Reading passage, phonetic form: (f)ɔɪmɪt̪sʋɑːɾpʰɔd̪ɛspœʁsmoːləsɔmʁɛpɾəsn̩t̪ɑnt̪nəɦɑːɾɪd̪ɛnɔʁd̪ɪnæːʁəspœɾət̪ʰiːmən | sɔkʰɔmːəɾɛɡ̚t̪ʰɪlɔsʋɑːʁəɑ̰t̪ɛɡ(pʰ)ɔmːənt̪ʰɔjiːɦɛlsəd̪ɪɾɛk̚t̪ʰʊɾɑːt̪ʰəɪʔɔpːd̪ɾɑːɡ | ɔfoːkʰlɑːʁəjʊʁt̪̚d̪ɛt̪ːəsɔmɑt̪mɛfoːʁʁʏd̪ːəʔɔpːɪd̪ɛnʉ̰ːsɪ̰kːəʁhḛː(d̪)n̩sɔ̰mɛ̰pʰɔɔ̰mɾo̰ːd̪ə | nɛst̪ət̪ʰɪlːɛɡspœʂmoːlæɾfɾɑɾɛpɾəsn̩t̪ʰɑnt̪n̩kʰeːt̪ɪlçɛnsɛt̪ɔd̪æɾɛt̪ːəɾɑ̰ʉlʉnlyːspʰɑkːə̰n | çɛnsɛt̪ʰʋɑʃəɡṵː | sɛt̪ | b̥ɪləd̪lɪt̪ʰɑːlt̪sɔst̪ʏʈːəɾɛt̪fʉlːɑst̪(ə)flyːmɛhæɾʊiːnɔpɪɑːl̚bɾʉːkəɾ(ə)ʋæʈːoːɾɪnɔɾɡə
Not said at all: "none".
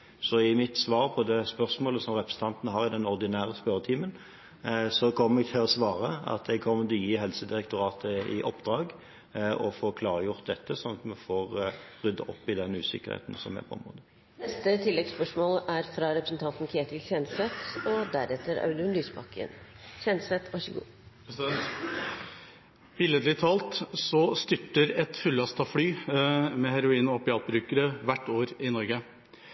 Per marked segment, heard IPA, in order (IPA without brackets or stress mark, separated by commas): s, kʰ, t̪, ɑ, ə